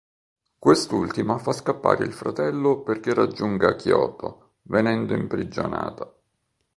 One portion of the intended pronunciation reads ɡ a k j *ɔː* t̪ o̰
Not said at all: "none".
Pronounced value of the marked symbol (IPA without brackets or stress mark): ɔː